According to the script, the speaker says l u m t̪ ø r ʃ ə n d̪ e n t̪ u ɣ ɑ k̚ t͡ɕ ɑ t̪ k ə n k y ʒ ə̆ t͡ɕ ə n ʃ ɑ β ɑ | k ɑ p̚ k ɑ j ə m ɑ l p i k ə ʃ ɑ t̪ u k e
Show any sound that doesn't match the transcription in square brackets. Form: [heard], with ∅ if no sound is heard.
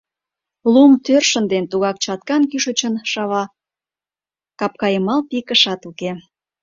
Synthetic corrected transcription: l u m t̪ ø r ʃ ə n d̪ e n t̪ u ɣ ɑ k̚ t͡ɕ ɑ t̪ k [ɑ] n k y [ʃ] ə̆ t͡ɕ ə n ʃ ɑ β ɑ | k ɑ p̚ k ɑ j ə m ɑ l p i k ə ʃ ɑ t̪ u k e